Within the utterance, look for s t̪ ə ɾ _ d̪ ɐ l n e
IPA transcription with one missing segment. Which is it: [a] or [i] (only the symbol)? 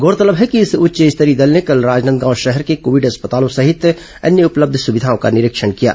i